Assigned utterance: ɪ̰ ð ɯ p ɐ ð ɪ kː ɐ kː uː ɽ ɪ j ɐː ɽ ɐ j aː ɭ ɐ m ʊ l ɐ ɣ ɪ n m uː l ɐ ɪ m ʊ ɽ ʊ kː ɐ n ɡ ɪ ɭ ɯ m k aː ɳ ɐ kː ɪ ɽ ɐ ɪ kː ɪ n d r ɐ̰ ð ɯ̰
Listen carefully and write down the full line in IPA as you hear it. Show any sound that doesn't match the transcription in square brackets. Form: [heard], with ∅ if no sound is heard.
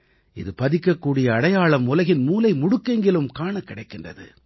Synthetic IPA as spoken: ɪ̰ ð ɯ p ɐ ð ɪ kː ɐ kː uː ɽ ɪ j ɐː ɽ ɐ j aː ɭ ɐ m ʊ l ɐ ɣ ɪ n m uː l ɐ ɪ m ʊ ɽ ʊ kː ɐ [ŋ] ɡ ɪ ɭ ɯ m k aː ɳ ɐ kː ɪ ɽ ɐ ɪ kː ɪ n d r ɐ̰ ð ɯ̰